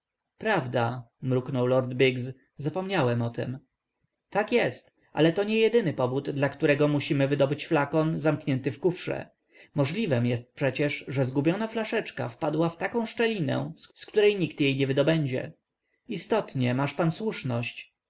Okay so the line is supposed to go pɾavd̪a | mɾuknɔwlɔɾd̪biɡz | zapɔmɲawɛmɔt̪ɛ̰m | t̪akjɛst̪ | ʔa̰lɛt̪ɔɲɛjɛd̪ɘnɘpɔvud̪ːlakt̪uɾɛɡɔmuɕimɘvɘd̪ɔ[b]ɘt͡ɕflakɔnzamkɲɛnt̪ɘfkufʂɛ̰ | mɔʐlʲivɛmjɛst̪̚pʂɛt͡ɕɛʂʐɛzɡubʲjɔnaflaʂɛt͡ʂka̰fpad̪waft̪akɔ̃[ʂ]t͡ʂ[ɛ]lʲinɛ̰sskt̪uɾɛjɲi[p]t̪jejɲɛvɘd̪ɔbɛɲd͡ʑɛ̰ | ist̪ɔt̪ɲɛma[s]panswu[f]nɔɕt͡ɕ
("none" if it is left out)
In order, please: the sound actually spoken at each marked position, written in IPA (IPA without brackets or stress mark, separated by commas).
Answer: b, ʂ, ɛ, k, ʂ, ʂ